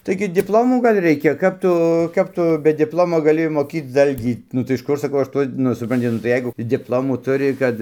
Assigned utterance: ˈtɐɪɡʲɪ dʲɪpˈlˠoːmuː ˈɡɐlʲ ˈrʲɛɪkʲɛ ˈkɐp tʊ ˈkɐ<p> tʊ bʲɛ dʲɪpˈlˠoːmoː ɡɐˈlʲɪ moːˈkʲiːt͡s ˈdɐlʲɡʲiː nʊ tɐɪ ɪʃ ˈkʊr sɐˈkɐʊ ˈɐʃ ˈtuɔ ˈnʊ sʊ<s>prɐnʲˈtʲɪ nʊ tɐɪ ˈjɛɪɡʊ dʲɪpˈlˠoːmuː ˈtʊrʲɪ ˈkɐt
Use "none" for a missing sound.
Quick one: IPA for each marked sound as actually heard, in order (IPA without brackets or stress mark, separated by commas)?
p, none